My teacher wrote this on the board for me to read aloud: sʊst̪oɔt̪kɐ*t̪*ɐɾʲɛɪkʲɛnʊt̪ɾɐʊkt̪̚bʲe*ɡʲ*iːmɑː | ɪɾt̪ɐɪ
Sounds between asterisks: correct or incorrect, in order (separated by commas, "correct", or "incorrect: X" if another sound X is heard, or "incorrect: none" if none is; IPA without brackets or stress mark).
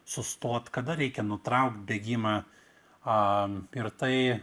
incorrect: d̪, correct